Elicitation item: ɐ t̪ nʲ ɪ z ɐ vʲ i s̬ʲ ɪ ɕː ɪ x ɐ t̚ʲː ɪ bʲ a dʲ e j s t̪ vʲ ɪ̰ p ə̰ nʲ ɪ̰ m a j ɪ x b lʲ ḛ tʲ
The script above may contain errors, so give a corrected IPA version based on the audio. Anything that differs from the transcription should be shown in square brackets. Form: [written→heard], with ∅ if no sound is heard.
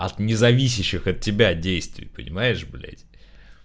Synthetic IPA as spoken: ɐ t̪ nʲ ɪ z ɐ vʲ i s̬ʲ ɪ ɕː ɪ x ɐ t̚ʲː ɪ bʲ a dʲ e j s t̪ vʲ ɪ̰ p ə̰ nʲ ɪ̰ m a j ɪ [x→ʂ] b lʲ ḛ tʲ